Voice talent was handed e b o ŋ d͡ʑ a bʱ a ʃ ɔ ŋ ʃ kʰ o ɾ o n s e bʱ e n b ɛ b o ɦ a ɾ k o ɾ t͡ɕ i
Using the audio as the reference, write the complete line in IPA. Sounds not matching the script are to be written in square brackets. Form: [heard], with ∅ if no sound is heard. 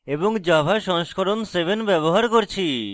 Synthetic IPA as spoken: e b o ŋ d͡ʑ a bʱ a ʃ ɔ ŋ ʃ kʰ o ɾ o n s e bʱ e n b ɛ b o ɦ a ɾ k o ɾ [t͡ɕʰ] i